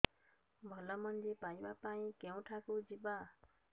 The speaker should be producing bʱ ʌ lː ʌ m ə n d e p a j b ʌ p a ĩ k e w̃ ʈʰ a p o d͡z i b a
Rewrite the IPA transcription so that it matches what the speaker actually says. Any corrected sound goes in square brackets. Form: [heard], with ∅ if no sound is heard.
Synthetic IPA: bʱ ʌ [l] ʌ m [ʌ] n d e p a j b [a] p a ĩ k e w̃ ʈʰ a [k] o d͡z i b a